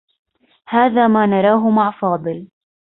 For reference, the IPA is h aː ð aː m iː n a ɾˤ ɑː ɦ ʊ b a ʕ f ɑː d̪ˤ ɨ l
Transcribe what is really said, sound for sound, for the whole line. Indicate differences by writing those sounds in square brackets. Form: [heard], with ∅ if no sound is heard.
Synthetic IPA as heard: h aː ð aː m [aː] n [ɑ] ɾˤ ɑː ɦ ʊ [m] a ʕ f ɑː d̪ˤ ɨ l

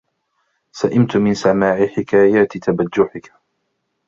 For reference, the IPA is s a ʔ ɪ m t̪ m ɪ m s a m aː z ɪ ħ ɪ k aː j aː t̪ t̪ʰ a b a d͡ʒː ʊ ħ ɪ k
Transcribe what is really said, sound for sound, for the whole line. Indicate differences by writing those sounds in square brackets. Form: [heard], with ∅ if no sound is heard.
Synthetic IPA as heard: s a ʔ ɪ m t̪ m ɪ [n] s a m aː [ʕ] ɪ ħ ɪ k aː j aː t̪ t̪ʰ a b a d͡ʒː ʊ ħ ɪ k

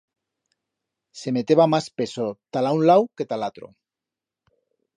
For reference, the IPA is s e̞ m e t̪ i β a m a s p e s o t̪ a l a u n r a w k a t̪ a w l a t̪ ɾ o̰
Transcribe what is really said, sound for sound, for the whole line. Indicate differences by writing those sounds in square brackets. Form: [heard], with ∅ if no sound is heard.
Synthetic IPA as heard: s e̞ m e t̪ [e] β a m a s p e s o t̪ a l a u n [l] a w k [e] t̪ a [∅] l a t̪ ɾ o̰

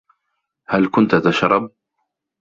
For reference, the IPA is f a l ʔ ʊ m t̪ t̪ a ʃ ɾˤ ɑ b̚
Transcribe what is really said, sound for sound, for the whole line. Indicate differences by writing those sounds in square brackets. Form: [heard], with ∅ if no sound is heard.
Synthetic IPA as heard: [h] a l [k] ʊ [n] t̪ t̪ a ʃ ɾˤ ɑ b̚

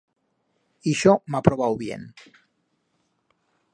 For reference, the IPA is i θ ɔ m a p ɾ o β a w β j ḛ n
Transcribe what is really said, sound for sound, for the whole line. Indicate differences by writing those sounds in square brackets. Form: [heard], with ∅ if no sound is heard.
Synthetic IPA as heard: i [ʃ] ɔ m a p ɾ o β a w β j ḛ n

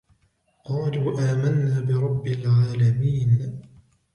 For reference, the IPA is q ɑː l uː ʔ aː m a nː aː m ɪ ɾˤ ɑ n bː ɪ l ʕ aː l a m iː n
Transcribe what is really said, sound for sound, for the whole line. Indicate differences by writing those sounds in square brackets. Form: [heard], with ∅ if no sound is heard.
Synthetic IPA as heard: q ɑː l uː ʔ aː m a nː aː [b] ɪ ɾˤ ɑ [∅] bː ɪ l ʕ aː l a m iː n

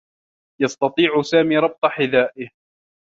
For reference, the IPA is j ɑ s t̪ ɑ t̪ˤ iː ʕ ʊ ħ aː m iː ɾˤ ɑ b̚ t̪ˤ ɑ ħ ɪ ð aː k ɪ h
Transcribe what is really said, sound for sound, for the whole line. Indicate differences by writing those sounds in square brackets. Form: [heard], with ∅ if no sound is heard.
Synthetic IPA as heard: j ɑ s t̪ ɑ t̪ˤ iː ʕ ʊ [s] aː m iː ɾˤ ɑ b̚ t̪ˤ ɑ ħ ɪ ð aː [ʔ] ɪ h

